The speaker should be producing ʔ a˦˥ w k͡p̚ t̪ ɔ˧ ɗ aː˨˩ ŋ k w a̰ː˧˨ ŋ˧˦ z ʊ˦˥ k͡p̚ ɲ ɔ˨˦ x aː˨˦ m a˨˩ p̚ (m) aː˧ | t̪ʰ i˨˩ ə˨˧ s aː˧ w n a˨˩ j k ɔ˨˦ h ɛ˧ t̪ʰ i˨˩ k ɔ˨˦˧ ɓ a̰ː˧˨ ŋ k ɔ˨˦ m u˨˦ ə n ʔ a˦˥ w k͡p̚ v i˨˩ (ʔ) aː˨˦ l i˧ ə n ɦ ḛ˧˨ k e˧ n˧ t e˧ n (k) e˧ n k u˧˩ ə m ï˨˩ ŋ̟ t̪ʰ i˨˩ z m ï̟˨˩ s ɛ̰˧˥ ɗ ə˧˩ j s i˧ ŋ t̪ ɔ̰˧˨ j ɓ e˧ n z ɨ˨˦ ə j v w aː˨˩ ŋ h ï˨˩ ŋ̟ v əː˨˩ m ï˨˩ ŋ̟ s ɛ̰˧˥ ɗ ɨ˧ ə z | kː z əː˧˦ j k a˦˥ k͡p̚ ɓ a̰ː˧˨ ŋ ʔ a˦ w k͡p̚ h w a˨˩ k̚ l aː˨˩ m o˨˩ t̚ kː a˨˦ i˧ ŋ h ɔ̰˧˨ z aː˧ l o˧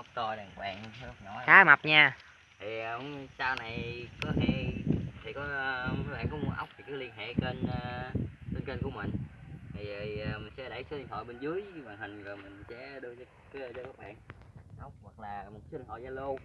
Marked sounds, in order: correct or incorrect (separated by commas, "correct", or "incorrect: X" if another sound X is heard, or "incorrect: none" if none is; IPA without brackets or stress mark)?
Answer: incorrect: ɲ, incorrect: k, correct